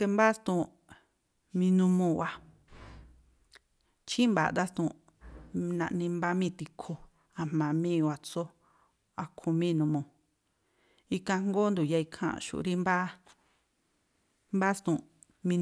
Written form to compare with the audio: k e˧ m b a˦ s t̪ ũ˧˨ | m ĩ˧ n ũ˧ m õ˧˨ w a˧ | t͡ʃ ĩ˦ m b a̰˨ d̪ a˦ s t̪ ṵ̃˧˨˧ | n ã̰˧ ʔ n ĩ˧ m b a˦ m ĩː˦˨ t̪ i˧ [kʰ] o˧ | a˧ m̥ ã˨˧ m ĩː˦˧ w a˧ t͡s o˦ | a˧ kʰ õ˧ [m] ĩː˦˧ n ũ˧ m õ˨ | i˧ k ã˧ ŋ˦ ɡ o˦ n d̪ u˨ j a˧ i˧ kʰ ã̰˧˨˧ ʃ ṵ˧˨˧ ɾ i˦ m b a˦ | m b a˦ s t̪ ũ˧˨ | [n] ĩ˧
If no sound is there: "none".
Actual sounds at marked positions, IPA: kʰ, m, m

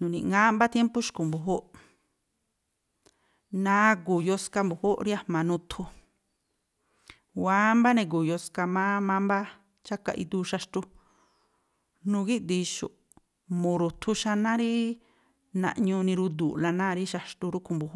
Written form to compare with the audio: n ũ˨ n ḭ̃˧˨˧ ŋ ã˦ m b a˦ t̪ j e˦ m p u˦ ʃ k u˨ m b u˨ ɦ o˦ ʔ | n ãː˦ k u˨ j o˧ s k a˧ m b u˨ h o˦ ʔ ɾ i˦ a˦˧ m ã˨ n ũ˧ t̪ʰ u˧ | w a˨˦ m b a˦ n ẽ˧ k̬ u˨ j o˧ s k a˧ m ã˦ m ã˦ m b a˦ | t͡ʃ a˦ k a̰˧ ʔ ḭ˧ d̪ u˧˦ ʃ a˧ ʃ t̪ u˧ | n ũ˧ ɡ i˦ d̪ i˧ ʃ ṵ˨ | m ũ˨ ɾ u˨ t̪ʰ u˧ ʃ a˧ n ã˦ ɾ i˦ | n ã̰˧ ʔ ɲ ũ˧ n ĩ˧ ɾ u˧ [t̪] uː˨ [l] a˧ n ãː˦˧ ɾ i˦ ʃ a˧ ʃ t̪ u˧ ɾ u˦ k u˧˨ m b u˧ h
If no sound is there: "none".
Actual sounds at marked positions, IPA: d̪, l

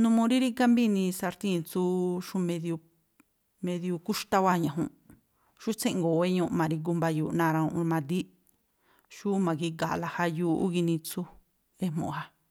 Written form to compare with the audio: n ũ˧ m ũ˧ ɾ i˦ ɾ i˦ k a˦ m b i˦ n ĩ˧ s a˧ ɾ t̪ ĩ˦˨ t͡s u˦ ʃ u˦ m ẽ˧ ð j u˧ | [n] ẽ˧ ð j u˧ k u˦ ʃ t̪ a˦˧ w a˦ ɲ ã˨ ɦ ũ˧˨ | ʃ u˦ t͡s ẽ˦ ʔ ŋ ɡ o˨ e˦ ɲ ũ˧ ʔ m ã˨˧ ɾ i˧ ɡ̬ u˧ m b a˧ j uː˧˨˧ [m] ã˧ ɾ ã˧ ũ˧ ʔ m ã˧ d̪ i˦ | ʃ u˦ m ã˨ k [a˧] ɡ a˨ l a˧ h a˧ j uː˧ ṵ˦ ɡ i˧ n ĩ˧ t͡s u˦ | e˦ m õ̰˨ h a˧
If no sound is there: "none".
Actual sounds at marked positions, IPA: m, n, i˧

